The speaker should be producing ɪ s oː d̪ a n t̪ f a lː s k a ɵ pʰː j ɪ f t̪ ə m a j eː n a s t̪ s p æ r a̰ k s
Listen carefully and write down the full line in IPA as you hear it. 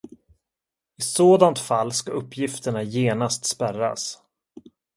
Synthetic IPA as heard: ɪ s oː d̪ a n t̪ f a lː s k a ɵ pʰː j ɪ f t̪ ə ɳ a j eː n a s t̪ s p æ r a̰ s